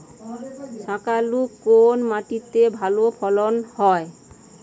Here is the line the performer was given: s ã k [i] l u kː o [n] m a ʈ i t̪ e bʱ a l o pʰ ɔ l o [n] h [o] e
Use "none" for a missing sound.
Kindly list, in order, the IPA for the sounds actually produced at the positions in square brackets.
a, n, n, ɔ

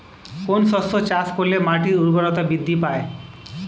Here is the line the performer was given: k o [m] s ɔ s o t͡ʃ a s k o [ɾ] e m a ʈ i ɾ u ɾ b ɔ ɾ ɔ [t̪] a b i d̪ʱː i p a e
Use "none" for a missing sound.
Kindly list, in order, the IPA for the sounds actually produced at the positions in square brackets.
n, l, t̪

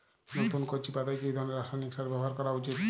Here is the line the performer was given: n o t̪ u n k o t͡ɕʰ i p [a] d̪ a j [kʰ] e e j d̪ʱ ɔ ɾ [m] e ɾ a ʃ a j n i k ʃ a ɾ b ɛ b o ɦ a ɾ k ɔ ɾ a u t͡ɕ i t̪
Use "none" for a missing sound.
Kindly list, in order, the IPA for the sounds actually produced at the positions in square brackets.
a, k, n

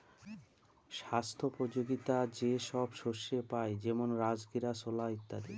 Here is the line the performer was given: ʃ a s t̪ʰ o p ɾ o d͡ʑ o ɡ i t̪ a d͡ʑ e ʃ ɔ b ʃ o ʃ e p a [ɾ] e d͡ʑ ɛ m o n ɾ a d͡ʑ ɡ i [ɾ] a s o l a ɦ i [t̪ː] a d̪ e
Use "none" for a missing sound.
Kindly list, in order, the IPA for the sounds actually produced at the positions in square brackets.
none, ɾ, t̪ː

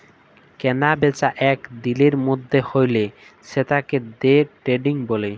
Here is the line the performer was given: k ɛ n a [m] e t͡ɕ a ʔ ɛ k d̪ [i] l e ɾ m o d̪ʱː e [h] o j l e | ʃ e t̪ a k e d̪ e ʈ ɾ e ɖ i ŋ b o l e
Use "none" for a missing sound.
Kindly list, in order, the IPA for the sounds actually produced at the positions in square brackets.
b, i, h

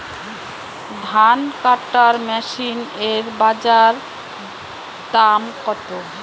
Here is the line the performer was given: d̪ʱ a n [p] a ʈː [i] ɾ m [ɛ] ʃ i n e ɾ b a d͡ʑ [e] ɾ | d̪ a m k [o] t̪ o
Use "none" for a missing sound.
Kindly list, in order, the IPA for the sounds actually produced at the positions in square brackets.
k, a, ɛ, a, ɔ

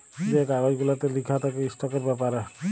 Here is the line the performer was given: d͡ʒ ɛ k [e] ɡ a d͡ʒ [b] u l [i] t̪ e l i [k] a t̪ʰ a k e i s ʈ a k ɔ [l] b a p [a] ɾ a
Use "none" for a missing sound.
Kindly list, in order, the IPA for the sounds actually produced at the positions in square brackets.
a, ɡ, a, kʰ, ɾ, a

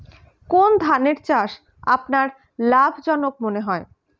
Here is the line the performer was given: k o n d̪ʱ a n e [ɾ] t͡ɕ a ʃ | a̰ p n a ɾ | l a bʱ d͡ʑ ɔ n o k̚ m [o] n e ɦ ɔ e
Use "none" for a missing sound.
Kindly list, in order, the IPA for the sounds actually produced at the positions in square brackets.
ɾ, o

